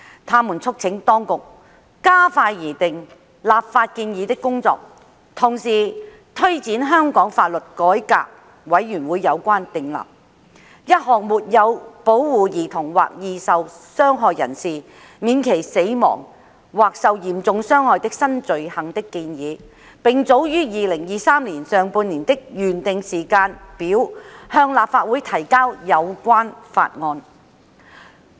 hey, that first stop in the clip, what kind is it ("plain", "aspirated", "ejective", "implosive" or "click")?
aspirated